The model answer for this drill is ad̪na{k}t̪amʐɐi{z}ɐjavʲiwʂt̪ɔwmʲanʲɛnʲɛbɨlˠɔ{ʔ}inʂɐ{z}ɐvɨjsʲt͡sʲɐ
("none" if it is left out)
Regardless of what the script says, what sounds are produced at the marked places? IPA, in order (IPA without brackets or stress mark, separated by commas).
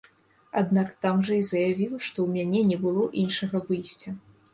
k, z, ʔ, ɣ